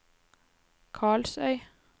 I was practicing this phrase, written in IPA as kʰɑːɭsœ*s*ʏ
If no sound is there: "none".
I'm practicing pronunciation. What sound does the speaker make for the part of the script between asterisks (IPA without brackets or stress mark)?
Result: none